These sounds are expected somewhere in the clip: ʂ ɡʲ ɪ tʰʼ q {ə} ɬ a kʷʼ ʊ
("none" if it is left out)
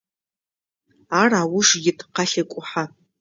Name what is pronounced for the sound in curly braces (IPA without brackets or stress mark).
a